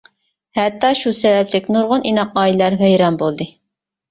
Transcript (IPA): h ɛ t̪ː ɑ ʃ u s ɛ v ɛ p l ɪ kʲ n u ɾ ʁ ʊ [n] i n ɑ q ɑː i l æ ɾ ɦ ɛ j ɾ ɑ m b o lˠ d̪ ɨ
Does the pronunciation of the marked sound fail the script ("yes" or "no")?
no